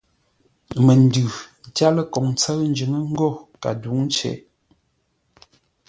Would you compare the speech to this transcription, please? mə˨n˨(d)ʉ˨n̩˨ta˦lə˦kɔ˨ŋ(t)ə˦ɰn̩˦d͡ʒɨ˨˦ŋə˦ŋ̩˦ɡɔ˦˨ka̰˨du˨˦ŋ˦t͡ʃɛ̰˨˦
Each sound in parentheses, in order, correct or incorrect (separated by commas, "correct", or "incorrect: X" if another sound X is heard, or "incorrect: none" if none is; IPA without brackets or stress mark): correct, incorrect: t͡s